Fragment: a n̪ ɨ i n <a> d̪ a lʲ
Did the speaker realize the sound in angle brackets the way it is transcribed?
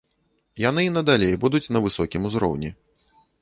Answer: no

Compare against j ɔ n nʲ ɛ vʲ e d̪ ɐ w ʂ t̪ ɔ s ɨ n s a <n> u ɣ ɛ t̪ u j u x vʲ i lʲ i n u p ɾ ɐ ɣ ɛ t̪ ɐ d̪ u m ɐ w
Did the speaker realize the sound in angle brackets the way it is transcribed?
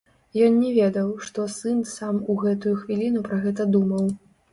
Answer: no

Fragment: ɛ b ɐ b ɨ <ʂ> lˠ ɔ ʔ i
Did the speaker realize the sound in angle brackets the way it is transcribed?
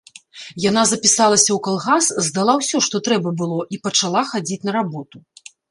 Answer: no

